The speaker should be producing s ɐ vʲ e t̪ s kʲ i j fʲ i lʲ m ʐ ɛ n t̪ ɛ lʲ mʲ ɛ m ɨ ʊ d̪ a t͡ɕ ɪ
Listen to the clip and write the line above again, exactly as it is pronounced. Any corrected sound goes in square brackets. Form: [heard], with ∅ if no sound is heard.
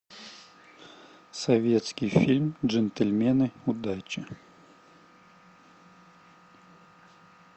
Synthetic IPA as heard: s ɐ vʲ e t̪ s kʲ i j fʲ i lʲ m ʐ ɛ n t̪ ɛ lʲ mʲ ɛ [n] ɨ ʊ d̪ a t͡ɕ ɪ